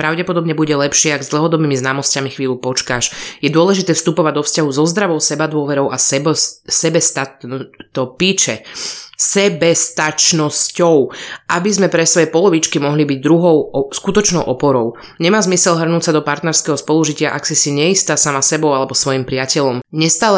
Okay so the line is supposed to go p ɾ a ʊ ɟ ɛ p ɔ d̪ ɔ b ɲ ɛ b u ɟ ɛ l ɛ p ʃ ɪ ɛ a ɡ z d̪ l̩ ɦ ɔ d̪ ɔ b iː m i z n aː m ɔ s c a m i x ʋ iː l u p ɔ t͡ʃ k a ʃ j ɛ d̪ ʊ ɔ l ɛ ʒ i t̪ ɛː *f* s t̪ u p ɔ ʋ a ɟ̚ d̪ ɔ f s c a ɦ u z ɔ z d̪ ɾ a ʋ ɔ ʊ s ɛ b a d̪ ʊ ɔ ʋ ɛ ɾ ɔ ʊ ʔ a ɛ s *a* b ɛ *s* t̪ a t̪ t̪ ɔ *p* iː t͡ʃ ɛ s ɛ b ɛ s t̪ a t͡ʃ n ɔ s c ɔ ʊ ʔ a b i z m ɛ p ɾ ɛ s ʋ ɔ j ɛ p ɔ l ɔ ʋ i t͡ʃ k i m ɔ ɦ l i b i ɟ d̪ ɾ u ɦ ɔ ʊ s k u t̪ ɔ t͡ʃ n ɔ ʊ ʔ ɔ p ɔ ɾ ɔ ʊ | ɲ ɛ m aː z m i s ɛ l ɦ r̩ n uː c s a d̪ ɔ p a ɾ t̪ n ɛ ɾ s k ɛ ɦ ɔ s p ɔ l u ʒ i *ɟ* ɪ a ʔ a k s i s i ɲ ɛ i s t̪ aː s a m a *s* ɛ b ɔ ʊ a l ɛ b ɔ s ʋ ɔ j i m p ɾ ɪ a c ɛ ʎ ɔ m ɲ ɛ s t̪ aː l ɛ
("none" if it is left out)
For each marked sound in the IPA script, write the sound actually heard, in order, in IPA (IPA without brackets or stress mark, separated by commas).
f, ɛ, s, p, c, s